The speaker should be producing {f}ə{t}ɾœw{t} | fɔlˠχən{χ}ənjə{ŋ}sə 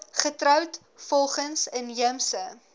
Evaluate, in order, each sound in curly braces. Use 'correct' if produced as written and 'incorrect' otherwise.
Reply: incorrect, correct, correct, incorrect, incorrect

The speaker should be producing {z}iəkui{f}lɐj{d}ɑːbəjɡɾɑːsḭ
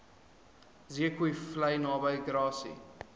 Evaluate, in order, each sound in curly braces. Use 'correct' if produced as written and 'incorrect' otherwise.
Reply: correct, correct, incorrect

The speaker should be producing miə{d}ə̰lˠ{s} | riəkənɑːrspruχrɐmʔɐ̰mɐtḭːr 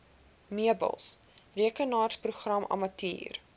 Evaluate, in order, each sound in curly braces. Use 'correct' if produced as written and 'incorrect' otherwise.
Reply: incorrect, correct

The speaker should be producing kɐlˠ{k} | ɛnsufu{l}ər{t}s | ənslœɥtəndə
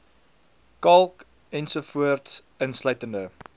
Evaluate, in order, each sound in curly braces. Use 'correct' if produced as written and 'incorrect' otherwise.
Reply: correct, incorrect, correct

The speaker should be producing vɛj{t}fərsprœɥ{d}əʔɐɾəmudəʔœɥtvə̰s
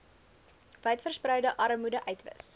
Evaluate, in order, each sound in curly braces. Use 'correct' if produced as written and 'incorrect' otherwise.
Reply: correct, correct

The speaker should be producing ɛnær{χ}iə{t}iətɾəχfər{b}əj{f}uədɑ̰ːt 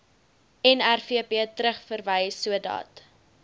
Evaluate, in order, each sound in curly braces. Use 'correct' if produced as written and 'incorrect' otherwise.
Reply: incorrect, incorrect, incorrect, incorrect

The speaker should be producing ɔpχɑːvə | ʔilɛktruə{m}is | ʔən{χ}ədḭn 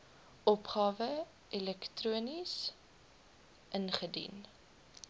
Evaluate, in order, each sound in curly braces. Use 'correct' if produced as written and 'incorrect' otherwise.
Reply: incorrect, correct

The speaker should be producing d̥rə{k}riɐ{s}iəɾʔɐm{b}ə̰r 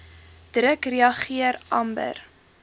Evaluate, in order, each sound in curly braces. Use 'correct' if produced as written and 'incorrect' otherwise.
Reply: correct, incorrect, correct

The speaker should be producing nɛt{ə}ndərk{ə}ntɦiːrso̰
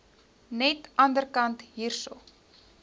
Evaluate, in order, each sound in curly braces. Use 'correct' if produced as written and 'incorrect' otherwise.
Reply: incorrect, incorrect

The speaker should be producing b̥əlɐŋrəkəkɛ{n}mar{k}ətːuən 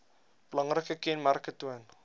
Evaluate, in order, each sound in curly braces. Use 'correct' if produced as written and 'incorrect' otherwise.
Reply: correct, correct

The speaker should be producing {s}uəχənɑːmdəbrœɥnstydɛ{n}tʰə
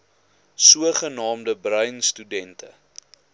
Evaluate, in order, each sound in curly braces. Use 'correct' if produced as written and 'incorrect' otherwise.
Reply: correct, correct

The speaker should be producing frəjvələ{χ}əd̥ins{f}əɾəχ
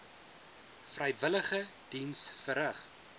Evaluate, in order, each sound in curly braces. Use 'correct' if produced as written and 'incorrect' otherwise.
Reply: correct, correct

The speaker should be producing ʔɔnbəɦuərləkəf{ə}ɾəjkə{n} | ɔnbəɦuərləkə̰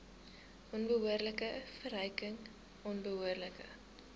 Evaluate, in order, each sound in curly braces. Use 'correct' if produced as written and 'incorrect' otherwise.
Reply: correct, incorrect

